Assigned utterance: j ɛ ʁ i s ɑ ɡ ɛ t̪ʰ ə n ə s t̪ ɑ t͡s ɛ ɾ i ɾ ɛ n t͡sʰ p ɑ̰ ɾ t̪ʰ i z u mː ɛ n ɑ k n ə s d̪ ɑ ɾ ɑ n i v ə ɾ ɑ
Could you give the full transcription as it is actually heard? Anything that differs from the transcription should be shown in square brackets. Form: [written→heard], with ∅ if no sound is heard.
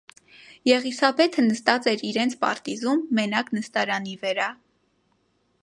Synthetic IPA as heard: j ɛ ʁ i s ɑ [ɡ→b] ɛ t̪ʰ ə n ə s t̪ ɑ t͡s ɛ ɾ i ɾ ɛ n t͡sʰ p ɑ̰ ɾ [t̪ʰ→t̪] i z u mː ɛ n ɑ k n ə s [d̪→t̪] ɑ ɾ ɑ n i v ə ɾ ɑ